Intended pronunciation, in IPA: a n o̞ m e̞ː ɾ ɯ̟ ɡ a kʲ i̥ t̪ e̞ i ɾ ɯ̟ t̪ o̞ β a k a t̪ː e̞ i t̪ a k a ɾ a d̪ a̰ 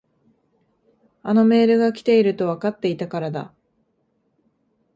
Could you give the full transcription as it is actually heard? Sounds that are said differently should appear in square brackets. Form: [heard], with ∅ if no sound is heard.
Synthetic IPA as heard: a n o̞ m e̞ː ɾ ɯ̟ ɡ a kʲ i̥ t̪ e̞ i ɾ ɯ̟ t̪ o̞ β a k a t̪ː e̞ i t̪ a k a ɾ a d̪ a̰